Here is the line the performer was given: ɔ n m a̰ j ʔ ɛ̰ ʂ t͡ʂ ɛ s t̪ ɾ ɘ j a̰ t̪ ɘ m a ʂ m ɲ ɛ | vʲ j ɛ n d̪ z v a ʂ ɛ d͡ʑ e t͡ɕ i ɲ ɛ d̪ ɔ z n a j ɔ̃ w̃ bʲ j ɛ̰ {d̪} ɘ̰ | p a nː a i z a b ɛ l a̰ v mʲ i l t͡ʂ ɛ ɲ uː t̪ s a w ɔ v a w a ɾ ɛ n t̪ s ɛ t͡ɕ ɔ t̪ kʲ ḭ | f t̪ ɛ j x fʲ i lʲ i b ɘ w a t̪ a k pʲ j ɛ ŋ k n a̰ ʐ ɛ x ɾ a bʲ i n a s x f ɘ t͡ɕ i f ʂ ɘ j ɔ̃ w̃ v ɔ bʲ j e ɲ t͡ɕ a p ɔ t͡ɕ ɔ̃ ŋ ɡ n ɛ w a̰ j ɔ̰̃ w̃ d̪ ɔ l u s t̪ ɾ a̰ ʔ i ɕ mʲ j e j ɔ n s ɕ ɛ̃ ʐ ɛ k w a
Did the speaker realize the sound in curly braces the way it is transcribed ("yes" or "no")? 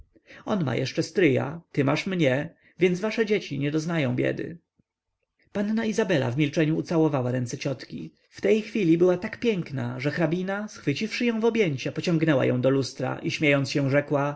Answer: yes